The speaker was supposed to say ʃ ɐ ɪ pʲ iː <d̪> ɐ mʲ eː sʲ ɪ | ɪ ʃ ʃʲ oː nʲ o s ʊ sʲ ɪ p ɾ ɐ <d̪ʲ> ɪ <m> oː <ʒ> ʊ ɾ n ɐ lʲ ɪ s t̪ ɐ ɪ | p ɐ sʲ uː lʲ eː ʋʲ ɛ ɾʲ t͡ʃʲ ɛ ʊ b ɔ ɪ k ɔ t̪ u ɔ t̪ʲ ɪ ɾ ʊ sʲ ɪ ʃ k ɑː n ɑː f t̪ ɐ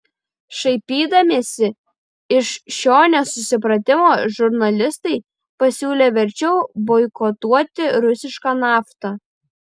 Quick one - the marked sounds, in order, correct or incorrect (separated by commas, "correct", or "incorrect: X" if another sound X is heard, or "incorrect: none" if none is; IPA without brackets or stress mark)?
correct, incorrect: t̪ʲ, correct, correct